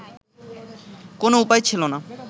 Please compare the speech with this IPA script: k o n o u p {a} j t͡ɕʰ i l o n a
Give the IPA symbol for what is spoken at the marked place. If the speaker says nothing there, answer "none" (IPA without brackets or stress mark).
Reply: a